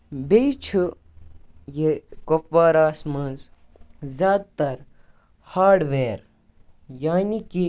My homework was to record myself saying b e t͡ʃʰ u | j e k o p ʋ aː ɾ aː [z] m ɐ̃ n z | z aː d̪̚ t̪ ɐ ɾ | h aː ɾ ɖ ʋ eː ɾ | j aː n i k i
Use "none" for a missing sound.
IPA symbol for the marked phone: s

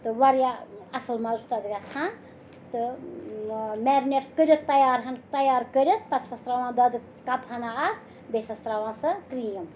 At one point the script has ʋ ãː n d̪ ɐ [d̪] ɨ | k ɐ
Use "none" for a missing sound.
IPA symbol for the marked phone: d̪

